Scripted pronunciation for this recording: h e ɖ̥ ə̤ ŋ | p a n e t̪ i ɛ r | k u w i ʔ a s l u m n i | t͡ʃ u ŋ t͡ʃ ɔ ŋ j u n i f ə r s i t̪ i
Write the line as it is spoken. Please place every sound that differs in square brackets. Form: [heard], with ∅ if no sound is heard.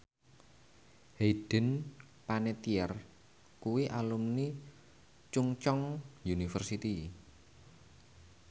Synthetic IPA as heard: h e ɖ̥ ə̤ [n] | p a n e t̪ i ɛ r | k u w i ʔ a [∅] l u m n i | t͡ʃ u ŋ t͡ʃ ɔ ŋ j u n i f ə r s i t̪ i